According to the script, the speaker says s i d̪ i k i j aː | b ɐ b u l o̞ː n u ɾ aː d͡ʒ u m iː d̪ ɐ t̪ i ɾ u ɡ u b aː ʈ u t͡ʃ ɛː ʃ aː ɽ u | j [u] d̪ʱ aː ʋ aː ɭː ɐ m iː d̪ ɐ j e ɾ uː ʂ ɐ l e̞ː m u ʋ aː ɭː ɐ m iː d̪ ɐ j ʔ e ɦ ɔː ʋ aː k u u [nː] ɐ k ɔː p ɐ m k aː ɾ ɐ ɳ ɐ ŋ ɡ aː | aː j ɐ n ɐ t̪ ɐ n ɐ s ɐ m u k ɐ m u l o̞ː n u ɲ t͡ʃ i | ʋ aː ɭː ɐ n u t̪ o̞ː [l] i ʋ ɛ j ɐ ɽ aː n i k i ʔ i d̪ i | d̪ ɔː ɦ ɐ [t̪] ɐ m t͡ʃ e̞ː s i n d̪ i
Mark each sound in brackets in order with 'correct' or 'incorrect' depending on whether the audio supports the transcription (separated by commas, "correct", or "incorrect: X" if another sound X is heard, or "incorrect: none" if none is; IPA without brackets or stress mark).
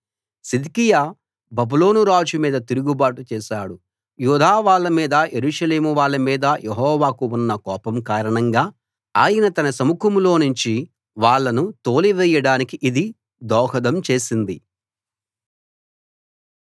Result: incorrect: uː, correct, correct, incorrect: d̪